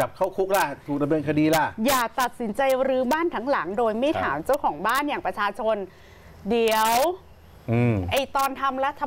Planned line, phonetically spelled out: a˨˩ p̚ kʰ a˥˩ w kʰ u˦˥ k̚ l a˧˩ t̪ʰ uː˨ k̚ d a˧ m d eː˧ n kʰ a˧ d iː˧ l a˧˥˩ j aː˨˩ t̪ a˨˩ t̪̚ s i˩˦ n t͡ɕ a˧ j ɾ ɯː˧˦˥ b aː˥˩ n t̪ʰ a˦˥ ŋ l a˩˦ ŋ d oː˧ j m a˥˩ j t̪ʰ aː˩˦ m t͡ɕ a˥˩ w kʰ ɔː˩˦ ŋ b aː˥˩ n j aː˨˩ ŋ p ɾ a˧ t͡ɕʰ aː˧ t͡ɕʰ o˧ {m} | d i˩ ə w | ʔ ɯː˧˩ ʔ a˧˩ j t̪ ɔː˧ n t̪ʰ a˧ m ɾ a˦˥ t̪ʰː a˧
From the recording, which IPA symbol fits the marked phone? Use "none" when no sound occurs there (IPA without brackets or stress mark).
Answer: n